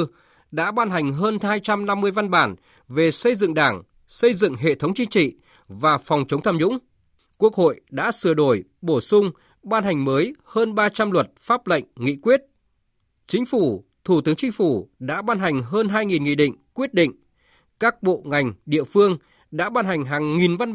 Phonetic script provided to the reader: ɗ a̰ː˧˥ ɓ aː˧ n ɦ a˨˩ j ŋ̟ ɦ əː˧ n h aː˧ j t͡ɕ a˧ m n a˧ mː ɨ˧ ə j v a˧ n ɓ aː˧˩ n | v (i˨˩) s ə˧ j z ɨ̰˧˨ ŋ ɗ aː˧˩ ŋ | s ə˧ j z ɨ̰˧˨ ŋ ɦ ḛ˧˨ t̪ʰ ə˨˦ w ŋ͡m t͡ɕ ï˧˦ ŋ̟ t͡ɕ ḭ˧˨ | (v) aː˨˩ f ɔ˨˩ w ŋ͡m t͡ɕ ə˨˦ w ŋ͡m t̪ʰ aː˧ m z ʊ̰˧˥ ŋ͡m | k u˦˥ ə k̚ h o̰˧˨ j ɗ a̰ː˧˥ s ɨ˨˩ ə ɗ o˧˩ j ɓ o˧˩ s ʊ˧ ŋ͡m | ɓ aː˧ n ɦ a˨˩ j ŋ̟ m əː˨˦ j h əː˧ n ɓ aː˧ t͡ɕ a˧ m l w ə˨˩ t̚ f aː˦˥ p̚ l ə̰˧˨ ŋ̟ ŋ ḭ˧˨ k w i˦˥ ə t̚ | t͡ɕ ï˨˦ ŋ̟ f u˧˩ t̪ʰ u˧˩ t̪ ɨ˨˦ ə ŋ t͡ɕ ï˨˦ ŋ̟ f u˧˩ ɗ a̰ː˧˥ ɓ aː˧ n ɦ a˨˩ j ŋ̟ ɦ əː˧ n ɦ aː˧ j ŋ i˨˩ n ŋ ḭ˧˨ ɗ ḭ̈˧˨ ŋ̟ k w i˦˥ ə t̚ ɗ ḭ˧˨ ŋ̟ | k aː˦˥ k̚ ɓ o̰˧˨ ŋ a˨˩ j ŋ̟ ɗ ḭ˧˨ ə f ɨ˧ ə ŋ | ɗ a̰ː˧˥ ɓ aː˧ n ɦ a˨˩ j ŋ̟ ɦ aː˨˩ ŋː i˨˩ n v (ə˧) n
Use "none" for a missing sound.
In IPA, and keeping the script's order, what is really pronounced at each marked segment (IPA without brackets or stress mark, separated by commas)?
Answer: e˨˩, v, a˧